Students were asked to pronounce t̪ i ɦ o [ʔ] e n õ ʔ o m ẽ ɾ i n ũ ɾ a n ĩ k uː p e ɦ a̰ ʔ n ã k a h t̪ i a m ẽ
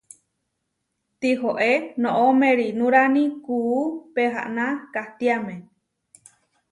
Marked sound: correct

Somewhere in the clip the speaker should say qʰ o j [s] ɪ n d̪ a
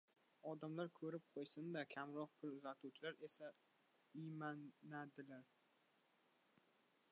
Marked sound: correct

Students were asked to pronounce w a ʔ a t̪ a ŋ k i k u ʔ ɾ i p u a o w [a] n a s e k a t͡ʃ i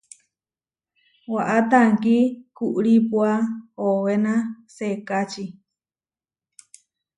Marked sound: incorrect: e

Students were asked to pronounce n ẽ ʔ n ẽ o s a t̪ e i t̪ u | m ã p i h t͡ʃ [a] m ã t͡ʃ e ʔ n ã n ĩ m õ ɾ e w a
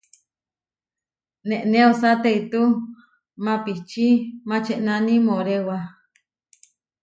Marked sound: incorrect: i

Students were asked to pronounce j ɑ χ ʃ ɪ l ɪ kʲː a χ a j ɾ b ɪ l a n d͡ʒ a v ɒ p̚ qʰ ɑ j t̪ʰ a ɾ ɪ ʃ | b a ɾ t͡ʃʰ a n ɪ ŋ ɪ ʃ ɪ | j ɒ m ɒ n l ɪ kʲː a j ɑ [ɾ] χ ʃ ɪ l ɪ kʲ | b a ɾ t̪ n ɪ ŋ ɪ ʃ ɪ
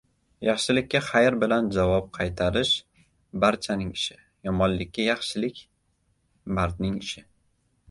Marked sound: incorrect: none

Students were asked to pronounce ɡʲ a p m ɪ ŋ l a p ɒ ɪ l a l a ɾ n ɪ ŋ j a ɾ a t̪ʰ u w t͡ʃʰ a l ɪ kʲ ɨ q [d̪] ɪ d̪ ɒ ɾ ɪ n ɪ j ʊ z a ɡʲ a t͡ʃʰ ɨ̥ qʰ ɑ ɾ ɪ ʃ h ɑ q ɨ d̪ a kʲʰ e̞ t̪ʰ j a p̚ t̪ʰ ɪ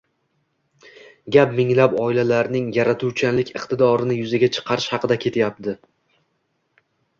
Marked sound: incorrect: t̪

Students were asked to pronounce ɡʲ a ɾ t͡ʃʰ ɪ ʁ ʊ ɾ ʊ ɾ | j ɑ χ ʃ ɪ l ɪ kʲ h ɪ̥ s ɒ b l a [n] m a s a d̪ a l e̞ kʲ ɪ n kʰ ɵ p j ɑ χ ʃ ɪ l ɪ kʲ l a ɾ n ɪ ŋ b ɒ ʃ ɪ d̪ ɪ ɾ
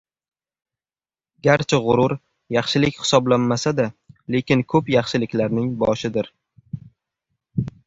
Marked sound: correct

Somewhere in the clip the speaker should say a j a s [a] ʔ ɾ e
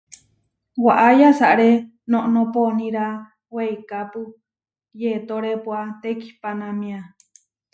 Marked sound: correct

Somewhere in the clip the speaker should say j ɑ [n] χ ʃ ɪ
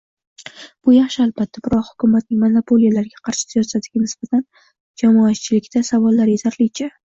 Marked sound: incorrect: none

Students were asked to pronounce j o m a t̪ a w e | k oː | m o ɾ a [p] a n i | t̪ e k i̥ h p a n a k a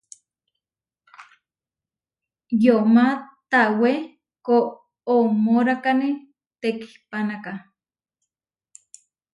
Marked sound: incorrect: k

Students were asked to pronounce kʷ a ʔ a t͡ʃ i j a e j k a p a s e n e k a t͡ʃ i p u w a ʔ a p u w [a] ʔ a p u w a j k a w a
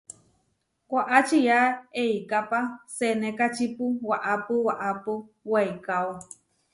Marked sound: correct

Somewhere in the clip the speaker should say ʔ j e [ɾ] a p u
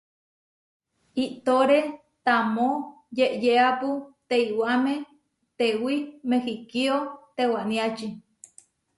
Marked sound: incorrect: none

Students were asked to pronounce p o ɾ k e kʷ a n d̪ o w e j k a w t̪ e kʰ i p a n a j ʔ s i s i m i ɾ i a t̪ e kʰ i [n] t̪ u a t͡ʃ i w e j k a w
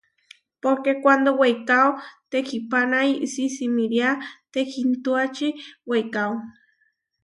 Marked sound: correct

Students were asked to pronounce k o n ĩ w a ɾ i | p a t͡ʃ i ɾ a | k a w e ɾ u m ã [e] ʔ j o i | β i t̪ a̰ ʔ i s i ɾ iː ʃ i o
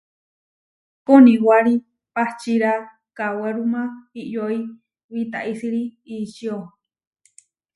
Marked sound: incorrect: i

